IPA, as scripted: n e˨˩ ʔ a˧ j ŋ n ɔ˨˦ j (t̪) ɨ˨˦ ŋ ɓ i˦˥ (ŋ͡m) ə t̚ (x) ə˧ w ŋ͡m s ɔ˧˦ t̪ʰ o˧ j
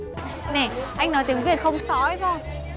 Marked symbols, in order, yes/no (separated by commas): yes, no, yes